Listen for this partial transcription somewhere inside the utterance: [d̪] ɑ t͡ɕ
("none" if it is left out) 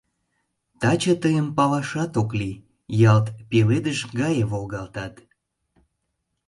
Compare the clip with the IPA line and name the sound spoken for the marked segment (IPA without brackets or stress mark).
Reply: t̪